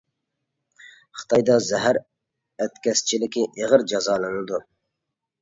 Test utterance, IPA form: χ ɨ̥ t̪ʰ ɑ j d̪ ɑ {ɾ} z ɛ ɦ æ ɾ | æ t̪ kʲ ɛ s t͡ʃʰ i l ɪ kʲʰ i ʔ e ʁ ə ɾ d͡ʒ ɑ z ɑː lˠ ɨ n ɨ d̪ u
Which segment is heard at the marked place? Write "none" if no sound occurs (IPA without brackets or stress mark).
none